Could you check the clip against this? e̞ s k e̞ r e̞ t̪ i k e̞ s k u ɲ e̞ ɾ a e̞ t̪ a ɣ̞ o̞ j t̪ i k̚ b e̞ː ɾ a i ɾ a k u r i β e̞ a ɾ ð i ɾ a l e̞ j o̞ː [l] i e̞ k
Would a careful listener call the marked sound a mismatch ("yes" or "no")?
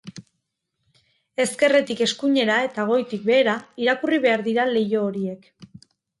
yes